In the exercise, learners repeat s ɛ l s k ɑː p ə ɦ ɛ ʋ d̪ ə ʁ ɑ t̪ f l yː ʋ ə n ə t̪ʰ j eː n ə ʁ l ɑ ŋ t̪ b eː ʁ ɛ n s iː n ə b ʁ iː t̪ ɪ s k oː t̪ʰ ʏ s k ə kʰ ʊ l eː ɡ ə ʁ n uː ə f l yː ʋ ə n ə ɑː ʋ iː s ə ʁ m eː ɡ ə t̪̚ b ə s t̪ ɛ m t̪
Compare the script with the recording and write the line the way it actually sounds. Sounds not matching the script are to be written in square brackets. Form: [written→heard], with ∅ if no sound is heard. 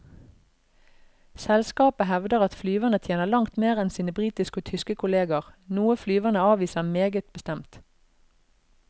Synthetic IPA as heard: s ɛ l s k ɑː p ə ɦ ɛ ʋ d̪ ə ʁ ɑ t̪ f l yː ʋ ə n ə t̪ʰ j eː n ə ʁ l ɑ ŋ t̪ [b→m] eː ʁ ɛ n s iː n ə b ʁ iː t̪ ɪ s k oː t̪ʰ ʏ s k ə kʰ ʊ l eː ɡ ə ʁ n uː ə f l yː ʋ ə n ə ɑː ʋ iː s ə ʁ m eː ɡ ə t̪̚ b ə s t̪ ɛ m t̪